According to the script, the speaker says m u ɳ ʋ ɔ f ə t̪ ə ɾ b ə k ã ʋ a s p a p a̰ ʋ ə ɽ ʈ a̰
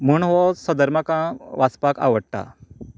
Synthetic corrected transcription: m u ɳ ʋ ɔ s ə d̪ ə ɾ m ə k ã ʋ a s p a k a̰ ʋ ə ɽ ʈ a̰